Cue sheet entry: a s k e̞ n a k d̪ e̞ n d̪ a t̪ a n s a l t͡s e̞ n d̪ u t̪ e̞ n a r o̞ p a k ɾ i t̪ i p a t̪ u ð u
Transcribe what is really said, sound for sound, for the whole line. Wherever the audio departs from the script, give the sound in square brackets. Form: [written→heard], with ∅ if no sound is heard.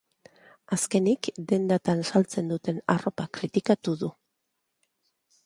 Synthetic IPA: a s k e̞ n [a→i] k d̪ e̞ n d̪ a t̪ a n s a l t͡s e̞ n d̪ u t̪ e̞ n a r o̞ p a k ɾ i t̪ i [p→k] a t̪ u ð u